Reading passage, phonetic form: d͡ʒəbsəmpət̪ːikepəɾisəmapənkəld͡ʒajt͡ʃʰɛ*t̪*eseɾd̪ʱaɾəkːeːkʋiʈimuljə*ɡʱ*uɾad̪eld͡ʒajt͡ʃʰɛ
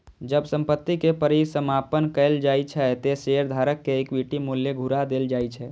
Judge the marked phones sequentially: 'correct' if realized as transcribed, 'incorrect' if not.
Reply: correct, correct

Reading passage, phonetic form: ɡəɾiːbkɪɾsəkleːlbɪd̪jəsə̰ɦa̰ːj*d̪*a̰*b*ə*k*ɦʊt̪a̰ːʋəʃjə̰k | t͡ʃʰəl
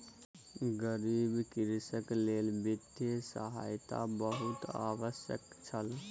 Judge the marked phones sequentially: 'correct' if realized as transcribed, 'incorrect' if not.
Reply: incorrect, correct, incorrect

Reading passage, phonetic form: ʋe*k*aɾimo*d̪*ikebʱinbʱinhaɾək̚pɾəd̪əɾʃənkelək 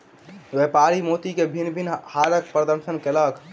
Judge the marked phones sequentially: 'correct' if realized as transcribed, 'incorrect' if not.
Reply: incorrect, incorrect

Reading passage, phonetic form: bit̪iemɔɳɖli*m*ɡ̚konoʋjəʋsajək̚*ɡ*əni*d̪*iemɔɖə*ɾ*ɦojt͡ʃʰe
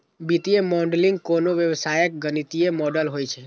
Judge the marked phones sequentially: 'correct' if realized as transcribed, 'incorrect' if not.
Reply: incorrect, correct, incorrect, incorrect

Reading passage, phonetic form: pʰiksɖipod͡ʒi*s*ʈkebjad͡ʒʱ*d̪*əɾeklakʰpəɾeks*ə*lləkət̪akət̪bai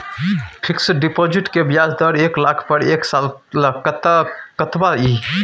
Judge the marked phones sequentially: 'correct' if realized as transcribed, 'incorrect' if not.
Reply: incorrect, correct, incorrect

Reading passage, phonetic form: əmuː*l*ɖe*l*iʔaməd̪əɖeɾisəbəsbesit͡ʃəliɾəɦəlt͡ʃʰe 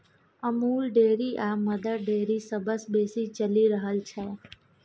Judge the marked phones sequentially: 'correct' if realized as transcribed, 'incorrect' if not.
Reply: correct, incorrect

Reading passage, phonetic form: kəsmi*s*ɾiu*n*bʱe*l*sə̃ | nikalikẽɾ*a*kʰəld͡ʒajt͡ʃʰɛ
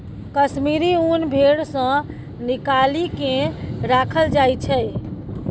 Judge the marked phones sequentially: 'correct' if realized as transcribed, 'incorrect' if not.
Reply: incorrect, correct, incorrect, correct

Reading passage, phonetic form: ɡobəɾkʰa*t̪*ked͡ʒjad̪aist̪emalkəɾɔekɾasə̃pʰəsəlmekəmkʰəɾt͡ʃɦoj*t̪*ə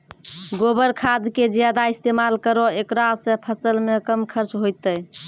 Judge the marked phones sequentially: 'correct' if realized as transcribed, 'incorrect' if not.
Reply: incorrect, correct

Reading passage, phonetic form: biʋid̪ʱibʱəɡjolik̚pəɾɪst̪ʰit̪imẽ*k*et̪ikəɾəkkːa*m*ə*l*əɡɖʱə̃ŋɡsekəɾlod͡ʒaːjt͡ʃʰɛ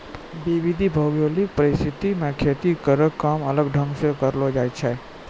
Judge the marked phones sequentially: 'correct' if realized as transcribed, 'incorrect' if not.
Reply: incorrect, correct, correct

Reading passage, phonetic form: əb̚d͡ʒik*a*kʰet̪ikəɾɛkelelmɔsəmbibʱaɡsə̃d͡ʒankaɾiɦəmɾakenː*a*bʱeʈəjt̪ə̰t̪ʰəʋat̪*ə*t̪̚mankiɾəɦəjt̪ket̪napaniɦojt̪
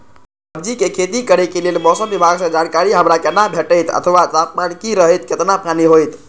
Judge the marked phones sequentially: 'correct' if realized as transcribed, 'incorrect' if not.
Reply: incorrect, correct, incorrect

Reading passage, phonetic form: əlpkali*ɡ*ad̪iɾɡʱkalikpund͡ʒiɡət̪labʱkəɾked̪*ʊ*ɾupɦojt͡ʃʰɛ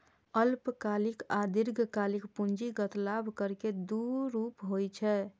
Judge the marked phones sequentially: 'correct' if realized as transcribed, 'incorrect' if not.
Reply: incorrect, incorrect

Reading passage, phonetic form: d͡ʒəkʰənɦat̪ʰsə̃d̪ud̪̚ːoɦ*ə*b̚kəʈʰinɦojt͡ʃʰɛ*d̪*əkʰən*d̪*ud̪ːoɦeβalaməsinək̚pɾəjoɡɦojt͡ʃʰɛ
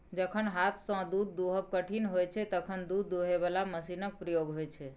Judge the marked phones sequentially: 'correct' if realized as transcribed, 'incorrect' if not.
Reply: correct, incorrect, correct

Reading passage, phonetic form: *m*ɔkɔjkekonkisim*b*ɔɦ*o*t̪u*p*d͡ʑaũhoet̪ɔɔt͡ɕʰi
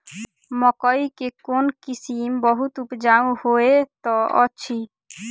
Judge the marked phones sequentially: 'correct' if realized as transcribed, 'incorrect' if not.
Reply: correct, correct, incorrect, correct

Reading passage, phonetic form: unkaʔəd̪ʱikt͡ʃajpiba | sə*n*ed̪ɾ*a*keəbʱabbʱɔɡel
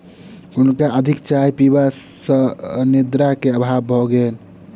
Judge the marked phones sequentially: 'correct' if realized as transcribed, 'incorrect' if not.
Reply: correct, correct

